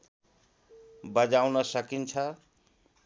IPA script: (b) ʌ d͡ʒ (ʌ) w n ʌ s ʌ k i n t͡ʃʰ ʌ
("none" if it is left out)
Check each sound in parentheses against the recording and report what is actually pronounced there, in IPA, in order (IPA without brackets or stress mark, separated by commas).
b, a